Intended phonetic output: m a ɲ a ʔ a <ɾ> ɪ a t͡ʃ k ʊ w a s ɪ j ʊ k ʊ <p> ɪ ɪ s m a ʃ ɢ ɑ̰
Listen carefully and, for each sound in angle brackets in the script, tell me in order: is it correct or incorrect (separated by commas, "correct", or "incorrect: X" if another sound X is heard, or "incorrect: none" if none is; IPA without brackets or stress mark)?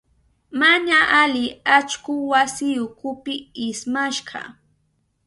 incorrect: l, correct